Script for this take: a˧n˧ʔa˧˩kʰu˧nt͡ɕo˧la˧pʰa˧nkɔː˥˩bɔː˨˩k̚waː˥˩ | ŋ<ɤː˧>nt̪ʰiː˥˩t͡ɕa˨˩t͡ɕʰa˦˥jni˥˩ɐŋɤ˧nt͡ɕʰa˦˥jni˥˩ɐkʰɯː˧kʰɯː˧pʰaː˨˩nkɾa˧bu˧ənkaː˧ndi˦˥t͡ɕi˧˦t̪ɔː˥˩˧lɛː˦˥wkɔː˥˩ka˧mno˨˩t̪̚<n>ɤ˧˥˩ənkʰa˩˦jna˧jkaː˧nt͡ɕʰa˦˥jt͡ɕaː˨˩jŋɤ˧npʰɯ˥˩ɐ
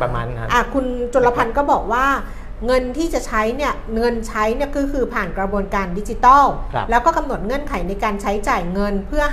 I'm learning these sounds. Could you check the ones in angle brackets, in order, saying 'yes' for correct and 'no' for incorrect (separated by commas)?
no, no